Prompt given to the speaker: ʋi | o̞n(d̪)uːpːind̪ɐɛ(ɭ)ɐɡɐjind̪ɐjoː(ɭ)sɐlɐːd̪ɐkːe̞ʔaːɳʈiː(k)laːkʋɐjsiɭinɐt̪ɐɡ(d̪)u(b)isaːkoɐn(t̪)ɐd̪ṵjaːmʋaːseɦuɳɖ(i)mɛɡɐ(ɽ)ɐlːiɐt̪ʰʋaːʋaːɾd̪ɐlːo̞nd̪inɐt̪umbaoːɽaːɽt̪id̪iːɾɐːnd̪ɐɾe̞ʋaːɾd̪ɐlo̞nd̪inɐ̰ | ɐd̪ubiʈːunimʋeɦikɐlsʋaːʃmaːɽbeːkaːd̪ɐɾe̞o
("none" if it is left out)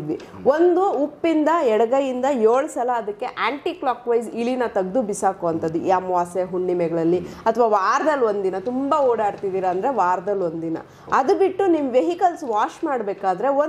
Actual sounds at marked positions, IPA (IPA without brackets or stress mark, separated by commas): d̪, ɽ, ɭ, k, d̪, b, t̪, i, ɭ